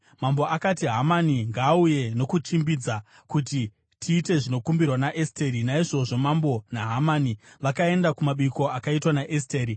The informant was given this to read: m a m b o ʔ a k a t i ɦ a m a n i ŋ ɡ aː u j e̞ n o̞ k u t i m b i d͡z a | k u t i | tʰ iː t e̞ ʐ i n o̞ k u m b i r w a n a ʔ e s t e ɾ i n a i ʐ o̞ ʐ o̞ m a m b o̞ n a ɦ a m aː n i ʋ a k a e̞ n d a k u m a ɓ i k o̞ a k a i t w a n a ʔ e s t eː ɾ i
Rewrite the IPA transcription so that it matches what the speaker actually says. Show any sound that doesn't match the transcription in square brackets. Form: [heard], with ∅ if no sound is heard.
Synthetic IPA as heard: m a m b o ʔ a k a t i ɦ a m a n i ŋ ɡ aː u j e̞ n o̞ k u [t͡ʃ] i m b i d͡z a | k u t i | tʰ iː t e̞ ʐ i n o̞ k u m b i r w a n a ʔ e s t e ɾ i n a i ʐ o̞ ʐ o̞ m a m b o̞ n a ɦ a m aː n i ʋ a k a e̞ n d a k u m a ɓ i k o̞ a k a i t w a n a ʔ e s t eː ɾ i